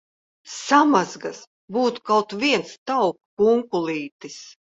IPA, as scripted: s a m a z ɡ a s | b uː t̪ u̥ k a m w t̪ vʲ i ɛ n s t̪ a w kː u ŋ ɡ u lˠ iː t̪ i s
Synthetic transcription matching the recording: s a m a z ɡ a s | b uː t̪ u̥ k a w t̪ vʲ i ɛ n s t̪ a w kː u ŋ k u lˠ iː t̪ i s

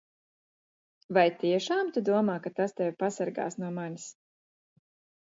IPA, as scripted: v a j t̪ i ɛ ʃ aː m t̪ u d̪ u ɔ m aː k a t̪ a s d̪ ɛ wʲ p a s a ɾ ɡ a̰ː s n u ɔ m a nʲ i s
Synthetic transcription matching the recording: v a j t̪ i ɛ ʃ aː m t̪ u d̪ u ɔ m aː k a t̪ a s t̪ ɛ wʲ p a s a ɾ ɡ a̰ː s n u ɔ m a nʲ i s

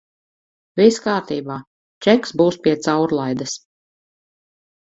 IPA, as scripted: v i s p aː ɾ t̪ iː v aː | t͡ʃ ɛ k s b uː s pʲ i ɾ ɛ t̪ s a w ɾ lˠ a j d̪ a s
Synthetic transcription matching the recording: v i s k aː ɾ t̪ iː b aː | t͡ʃ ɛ k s b uː s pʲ i ɛ t̪ s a w ɾ lˠ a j d̪ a s

